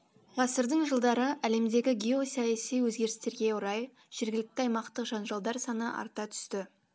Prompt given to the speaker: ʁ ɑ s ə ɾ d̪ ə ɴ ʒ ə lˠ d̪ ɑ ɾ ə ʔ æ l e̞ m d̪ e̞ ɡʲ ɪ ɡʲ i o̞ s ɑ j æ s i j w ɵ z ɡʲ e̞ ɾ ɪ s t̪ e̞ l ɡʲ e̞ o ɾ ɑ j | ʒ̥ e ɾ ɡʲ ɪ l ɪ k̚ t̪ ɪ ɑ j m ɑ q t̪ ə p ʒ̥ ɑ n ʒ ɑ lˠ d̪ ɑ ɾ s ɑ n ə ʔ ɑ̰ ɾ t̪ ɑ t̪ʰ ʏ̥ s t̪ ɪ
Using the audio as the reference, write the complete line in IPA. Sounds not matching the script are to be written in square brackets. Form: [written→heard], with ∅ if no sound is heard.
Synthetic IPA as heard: ʁ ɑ s ə ɾ d̪ ə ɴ ʒ ə lˠ d̪ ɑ ɾ ə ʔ æ l e̞ m d̪ e̞ ɡʲ ɪ ɡʲ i o̞ s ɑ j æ s i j w ɵ z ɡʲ e̞ ɾ ɪ s t̪ e̞ [l→ɾ] ɡʲ e̞ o ɾ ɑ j | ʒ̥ e ɾ ɡʲ ɪ l ɪ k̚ t̪ ɪ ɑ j m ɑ q t̪ ə [p→q] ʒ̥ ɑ n ʒ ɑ lˠ d̪ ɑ ɾ s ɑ n ə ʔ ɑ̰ ɾ t̪ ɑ t̪ʰ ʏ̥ s t̪ ɪ